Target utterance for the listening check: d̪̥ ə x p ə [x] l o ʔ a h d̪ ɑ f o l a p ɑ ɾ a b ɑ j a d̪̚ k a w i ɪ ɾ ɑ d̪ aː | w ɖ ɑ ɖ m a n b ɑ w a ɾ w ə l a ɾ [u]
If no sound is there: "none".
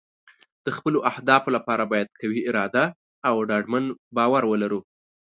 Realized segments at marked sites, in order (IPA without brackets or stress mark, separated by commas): none, u